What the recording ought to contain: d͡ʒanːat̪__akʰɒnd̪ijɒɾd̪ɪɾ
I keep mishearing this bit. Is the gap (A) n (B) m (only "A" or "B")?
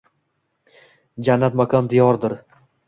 B